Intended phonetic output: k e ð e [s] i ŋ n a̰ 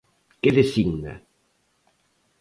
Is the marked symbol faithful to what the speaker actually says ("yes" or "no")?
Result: yes